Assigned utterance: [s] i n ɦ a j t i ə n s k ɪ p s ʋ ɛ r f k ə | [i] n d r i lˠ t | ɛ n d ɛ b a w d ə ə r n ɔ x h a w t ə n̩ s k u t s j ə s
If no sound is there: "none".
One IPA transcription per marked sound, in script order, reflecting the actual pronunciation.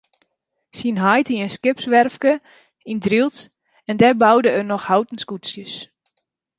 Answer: s, i

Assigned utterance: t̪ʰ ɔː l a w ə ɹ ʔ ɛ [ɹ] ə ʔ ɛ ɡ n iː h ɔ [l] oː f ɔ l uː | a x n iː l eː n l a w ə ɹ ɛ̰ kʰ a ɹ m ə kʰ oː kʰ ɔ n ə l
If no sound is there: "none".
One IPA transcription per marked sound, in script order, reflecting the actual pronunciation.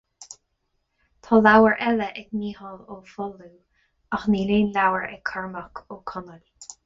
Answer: l, l

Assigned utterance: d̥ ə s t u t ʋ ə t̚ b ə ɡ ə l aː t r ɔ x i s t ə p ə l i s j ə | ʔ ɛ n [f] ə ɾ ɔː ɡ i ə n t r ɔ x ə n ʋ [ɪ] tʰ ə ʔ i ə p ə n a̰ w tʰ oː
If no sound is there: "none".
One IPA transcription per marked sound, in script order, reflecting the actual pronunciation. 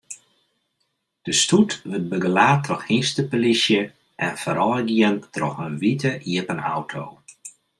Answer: f, i

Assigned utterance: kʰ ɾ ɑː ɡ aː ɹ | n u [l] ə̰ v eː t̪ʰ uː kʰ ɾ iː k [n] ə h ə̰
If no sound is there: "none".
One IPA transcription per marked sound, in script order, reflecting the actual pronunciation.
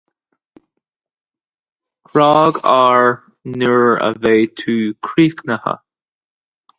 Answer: ɹ, n

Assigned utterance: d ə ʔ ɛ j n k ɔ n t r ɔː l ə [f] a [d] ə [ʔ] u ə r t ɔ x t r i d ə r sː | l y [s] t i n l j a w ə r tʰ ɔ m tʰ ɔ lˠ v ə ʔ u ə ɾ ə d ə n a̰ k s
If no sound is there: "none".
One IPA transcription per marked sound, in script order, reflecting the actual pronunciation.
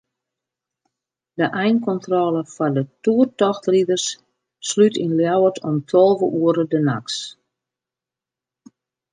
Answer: f, d, t, none

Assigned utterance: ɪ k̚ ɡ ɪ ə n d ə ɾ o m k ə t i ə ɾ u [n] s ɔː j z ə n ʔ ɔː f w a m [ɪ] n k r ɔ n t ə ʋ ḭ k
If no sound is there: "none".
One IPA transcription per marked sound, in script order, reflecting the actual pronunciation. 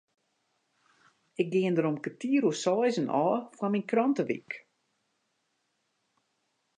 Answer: none, i

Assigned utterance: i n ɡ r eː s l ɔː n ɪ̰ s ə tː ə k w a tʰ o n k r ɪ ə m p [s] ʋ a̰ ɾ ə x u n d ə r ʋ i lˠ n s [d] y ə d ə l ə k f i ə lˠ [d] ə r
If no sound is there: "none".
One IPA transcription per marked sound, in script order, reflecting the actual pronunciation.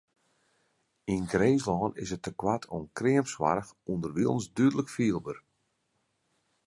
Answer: s, d, b

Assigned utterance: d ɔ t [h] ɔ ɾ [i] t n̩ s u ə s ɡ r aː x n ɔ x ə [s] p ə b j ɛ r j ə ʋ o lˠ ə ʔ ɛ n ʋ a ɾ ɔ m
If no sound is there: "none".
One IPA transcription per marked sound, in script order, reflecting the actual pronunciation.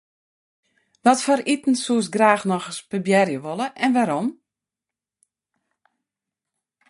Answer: f, i, s

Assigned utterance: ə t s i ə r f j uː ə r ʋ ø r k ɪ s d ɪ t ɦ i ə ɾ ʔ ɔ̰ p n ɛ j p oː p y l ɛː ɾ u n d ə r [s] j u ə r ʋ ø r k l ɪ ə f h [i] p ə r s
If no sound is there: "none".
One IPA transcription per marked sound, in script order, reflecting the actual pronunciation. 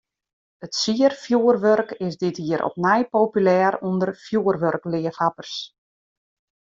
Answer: f, a

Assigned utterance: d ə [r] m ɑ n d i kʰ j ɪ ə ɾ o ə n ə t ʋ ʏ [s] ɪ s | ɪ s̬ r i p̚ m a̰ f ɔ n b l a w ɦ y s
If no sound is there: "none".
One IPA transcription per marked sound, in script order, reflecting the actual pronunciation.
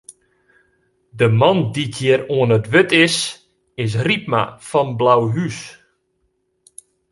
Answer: none, t

